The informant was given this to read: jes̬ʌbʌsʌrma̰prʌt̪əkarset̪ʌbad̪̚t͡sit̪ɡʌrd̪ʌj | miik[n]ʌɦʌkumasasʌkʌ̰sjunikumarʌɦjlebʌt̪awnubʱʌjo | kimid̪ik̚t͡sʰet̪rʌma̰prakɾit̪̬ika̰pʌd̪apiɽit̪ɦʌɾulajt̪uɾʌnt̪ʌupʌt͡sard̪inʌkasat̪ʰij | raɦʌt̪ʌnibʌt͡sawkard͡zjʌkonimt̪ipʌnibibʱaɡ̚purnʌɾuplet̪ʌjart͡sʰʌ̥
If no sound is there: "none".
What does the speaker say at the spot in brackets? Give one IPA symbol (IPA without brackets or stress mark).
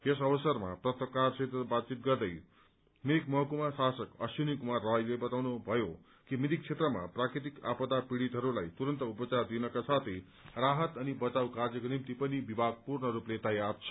m